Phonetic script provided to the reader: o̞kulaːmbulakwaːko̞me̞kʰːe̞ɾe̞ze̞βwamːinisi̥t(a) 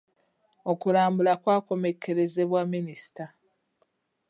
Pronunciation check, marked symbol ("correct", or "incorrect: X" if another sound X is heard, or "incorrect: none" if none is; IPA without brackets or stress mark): correct